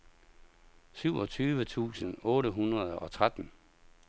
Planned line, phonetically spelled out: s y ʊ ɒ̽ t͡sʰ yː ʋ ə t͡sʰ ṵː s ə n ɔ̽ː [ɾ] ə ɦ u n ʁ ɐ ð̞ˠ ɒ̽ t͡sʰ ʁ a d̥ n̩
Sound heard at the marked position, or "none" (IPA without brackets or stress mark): ɾ